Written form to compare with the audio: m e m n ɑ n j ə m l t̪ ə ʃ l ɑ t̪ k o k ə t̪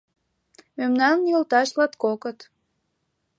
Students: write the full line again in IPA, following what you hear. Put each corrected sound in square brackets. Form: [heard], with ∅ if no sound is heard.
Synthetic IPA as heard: m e m n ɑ n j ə [∅] l t̪ [ɑ] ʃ l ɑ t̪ k o k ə t̪